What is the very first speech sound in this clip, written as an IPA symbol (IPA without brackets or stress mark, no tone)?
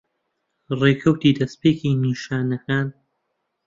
r